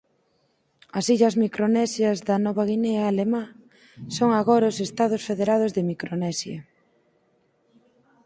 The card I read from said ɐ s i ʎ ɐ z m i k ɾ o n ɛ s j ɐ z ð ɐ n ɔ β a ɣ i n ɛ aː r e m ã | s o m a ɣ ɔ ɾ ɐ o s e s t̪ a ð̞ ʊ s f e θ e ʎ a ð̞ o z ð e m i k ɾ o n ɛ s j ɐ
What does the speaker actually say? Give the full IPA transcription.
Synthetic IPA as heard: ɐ s i ʎ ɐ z m i k ɾ o n ɛ s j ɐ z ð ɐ n ɔ β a ɣ i n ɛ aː l e m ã | s o ŋ a ɣ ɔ ɾ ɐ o s e s t̪ a ð̞ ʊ s f e ð e ɾ a ð̞ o z ð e m i k ɾ o n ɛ s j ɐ